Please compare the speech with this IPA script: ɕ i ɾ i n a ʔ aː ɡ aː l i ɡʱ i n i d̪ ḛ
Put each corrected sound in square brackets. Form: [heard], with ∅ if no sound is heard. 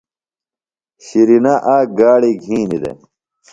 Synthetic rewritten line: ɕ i ɾ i n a ʔ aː ɡ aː [ɽ] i ɡʱ [iː] n i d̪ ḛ